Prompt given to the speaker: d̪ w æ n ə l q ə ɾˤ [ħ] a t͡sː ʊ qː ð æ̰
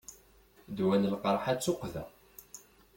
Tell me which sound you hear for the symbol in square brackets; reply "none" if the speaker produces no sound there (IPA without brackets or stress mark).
ħ